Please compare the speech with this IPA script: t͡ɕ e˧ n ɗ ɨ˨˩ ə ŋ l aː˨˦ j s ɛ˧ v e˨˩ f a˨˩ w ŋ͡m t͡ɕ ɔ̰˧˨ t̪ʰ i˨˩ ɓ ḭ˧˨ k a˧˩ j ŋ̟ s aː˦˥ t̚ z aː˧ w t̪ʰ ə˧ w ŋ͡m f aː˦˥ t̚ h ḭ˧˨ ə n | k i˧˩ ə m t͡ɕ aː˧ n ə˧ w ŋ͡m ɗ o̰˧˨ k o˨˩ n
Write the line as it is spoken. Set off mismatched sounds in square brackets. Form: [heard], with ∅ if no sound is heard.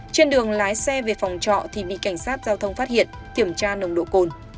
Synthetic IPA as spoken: t͡ɕ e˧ n ɗ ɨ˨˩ ə ŋ l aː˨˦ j s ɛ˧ v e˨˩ f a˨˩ w ŋ͡m t͡ɕ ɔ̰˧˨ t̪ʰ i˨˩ ɓ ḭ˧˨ k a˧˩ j ŋ̟ s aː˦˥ t̚ z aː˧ w t̪ʰ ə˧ w ŋ͡m f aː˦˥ t̚ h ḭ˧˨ ə n | k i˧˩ ə m t͡ɕ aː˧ n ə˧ w ŋ͡m ɗ o̰˧˨ k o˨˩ n